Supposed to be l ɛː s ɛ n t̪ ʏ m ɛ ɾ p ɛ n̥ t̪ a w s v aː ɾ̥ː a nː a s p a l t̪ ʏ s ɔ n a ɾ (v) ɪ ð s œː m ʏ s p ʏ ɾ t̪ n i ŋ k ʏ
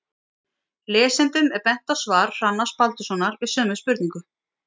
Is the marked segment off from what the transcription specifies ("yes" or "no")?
no